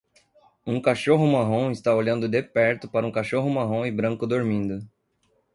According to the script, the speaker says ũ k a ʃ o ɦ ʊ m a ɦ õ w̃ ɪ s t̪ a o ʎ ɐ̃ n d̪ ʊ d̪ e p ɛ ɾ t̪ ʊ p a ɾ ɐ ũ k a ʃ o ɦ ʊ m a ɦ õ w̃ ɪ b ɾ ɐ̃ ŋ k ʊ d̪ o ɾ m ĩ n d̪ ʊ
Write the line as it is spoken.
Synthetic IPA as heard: ũ k a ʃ o ɦ ʊ m a ɦ õ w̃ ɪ s t̪ a o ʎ ɐ̃ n d̪ ʊ d̪ e p ɛ ɾ t̪ ʊ p a ɾ ɐ ũ k a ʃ o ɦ ʊ m a ɦ õ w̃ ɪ b ɾ ɐ̃ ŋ k ʊ d̪ o ɾ m ĩ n d̪ ʊ